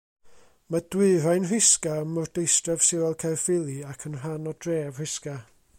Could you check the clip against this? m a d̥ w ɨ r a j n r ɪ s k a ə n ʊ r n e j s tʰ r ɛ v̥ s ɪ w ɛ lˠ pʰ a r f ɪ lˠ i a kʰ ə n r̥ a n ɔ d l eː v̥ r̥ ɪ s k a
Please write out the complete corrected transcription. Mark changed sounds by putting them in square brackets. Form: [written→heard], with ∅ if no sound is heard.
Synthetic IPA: m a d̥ w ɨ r a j n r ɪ s k a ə [n→m] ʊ r [n→d] e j s [tʰ→t] r ɛ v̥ s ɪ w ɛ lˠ [pʰ→kʰ] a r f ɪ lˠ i a kʰ ə n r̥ a n ɔ d [l→r] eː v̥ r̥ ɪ s k a